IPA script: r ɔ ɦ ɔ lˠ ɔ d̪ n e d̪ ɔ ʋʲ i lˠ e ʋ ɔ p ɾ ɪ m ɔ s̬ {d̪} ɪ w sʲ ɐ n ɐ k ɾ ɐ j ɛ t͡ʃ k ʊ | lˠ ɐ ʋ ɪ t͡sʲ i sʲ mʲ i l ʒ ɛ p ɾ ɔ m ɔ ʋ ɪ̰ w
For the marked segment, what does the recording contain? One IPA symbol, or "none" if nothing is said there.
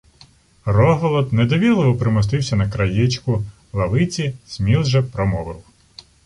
t̪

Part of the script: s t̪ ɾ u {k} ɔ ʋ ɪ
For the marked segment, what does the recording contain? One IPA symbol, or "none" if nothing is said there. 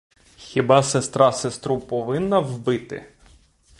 p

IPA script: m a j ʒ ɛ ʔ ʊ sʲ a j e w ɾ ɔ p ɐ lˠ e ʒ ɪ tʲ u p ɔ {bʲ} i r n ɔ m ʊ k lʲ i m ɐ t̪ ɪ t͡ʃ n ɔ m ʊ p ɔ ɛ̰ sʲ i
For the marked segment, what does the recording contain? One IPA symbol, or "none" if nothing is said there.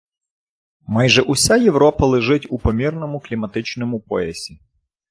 mʲ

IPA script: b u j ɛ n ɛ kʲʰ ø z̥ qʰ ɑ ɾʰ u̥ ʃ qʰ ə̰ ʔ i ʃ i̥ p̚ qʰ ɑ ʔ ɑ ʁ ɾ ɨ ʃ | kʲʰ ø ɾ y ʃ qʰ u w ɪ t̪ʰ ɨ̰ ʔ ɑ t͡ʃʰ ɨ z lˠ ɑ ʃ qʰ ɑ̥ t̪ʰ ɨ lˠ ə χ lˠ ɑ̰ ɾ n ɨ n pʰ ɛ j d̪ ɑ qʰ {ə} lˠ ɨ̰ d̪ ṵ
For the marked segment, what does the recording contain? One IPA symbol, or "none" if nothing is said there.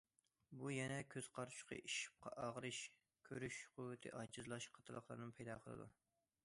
ə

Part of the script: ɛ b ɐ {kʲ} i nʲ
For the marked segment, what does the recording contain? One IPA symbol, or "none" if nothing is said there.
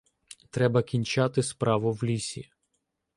kʲ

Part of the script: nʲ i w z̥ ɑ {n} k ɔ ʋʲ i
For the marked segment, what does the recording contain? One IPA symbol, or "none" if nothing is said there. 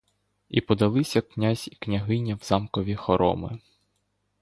m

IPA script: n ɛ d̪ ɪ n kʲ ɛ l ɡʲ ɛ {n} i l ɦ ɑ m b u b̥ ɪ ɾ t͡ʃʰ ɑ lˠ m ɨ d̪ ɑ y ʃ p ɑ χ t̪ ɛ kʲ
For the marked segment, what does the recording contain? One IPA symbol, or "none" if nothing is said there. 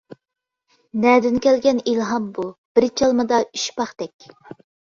n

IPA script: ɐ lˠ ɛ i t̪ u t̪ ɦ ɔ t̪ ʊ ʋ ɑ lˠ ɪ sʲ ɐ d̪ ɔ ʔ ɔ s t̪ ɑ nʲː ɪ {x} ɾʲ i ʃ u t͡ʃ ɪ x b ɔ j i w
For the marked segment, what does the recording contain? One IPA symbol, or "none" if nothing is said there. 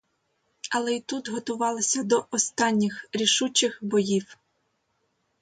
x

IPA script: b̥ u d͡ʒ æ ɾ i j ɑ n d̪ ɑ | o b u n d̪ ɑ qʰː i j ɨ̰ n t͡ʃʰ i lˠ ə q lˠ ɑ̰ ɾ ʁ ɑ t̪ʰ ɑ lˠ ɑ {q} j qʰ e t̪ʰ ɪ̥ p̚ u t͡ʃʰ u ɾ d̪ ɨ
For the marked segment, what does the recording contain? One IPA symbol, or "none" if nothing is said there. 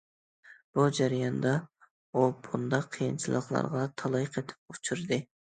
none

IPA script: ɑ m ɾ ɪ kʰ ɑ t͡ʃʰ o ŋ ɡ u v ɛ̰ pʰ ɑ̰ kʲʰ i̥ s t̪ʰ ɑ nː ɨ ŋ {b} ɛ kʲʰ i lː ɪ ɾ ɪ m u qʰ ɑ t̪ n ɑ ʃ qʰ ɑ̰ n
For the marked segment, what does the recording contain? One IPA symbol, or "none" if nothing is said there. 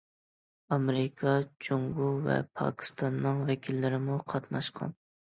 v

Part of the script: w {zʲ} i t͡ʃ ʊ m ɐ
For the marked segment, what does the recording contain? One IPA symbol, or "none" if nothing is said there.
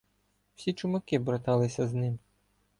sʲ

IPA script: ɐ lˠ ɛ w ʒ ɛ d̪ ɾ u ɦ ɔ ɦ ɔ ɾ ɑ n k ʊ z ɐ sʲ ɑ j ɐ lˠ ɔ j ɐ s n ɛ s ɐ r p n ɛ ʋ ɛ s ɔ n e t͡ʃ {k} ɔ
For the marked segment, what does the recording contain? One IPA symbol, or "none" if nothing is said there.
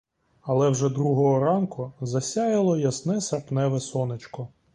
k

